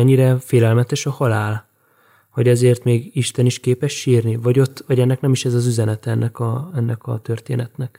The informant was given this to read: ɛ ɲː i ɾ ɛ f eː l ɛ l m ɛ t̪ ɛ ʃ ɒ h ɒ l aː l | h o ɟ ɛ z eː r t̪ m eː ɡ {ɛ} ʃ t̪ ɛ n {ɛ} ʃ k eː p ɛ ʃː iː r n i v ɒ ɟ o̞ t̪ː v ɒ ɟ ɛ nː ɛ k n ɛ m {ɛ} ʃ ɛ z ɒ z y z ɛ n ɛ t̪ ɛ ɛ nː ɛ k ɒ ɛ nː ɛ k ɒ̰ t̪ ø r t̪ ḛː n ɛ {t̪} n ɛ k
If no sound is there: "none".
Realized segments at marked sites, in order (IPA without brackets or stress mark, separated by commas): i, i, i, t̪